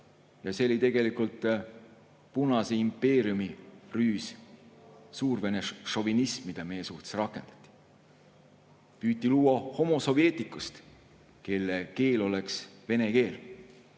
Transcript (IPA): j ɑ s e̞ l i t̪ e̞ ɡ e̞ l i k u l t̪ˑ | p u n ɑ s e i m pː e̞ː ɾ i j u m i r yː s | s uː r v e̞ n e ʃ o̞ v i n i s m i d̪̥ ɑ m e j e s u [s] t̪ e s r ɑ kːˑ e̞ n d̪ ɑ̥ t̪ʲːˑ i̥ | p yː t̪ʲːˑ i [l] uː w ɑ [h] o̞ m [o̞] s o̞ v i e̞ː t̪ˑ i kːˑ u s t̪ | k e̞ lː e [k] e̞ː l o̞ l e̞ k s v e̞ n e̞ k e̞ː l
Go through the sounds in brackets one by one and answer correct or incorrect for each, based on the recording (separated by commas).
incorrect, correct, correct, correct, correct